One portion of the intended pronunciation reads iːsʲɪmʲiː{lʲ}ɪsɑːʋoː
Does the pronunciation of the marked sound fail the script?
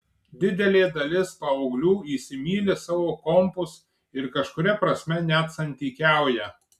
no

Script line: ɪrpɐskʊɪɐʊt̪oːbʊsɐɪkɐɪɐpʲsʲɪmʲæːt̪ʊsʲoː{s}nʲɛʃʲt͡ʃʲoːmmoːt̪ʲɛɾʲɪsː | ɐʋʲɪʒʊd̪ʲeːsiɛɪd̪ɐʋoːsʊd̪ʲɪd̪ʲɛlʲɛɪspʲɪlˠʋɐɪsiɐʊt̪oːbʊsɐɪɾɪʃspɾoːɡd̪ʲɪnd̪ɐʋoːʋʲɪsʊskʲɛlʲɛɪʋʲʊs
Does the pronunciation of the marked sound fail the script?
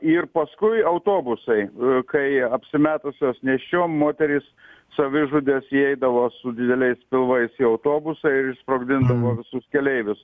no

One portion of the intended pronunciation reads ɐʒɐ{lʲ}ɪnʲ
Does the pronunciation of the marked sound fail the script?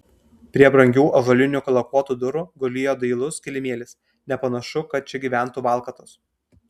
no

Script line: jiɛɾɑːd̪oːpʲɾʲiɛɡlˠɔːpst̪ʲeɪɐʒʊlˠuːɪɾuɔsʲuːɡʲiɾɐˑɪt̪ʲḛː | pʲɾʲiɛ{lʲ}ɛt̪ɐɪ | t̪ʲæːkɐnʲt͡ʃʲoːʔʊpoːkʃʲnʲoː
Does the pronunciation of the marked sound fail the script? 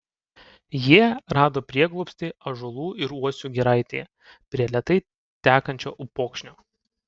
no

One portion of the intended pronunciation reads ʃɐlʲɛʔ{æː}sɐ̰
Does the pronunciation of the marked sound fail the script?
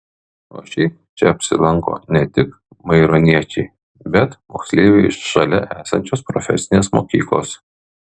no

